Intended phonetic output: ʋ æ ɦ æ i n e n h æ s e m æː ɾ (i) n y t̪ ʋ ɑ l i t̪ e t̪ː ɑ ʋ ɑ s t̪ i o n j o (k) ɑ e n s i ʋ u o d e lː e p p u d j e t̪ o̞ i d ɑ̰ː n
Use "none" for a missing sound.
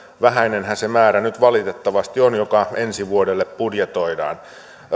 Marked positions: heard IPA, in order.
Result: æ, k

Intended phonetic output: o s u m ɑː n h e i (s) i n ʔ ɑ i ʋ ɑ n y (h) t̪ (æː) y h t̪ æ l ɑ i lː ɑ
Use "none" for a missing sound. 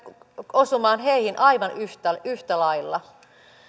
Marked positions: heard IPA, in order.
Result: h, h, æ

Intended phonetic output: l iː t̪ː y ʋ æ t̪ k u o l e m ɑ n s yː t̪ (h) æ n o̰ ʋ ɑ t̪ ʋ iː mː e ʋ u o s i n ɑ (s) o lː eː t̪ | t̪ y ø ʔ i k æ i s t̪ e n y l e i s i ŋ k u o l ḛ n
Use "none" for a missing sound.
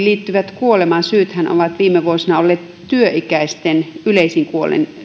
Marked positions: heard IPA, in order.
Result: h, none

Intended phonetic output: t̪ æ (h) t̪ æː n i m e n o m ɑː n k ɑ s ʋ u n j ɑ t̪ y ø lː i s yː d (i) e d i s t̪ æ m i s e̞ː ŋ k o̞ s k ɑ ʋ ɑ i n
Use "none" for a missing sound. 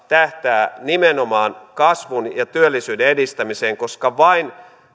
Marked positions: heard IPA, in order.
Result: h, e

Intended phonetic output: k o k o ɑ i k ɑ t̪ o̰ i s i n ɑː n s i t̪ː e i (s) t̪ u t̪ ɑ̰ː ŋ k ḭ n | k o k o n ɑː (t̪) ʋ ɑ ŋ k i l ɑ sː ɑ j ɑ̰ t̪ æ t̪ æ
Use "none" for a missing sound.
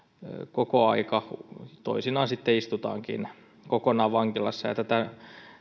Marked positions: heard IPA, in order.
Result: s, none

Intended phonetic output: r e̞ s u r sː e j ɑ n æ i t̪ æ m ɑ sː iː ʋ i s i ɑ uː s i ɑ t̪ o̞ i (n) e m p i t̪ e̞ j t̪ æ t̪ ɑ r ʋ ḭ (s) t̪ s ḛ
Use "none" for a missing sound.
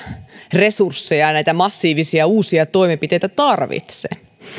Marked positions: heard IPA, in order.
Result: m, none

